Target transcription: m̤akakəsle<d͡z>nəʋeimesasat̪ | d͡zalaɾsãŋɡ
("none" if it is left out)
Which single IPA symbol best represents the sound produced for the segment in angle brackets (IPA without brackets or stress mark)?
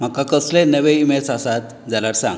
none